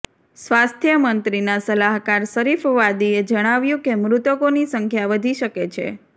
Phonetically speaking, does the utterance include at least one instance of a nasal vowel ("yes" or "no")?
yes